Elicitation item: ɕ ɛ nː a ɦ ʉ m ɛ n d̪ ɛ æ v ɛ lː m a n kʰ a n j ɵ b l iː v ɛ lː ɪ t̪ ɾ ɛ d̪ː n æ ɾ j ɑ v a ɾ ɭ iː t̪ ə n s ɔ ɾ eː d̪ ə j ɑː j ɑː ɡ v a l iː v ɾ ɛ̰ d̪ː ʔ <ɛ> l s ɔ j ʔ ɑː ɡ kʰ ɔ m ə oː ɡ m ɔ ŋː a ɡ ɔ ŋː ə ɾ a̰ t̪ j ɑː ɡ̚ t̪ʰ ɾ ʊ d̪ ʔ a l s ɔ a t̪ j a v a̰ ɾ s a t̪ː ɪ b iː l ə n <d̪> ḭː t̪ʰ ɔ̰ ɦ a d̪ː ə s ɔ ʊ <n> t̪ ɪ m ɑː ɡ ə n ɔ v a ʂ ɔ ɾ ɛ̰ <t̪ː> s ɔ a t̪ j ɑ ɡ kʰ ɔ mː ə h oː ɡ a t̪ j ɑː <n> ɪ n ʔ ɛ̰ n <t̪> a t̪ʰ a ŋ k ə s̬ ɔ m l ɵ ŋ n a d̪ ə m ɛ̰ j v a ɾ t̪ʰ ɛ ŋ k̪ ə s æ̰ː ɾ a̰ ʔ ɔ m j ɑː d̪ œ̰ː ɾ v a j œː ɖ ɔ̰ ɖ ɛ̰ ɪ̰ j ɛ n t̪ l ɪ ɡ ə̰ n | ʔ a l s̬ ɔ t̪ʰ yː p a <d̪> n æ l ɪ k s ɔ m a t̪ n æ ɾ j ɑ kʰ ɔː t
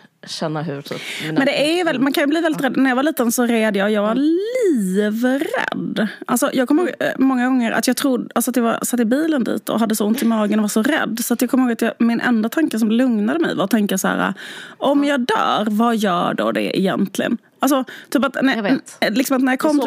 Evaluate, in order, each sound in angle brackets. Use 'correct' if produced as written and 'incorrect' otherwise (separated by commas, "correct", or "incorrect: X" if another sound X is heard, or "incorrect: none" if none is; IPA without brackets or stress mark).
incorrect: a, correct, correct, incorrect: d̪ː, incorrect: m, incorrect: d̪, incorrect: t̪